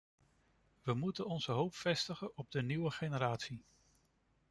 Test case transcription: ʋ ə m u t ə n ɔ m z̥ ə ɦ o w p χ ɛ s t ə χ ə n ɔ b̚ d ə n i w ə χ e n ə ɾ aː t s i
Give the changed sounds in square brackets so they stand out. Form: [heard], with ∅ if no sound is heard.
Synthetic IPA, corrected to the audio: ʋ ə m u t ə n ɔ [n] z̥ ə ɦ o w p [f] ɛ s t ə χ ə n ɔ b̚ d ə n i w ə χ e n ə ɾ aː t s i

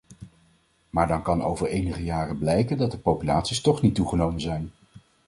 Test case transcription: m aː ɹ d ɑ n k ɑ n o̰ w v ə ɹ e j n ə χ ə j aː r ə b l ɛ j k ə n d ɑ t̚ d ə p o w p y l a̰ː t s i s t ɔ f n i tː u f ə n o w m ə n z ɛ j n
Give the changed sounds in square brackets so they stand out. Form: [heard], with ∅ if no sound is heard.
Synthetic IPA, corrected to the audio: m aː ɹ d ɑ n k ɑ n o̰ w v ə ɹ e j n ə χ ə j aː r ə b l ɛ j k ə n d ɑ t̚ d ə p o w p y l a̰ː t s i s t ɔ [χ] n i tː u [χ] ə n o w m ə n z ɛ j n

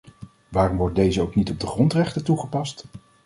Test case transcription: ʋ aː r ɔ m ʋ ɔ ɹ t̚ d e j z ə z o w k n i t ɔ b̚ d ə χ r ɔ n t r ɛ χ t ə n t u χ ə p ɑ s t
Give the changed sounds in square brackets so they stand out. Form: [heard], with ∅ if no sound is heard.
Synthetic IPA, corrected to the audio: ʋ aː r ɔ m ʋ ɔ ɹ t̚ d e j z ə [∅] o w k n i t ɔ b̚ d ə χ r ɔ n t r ɛ χ t ə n t u χ ə p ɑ s t

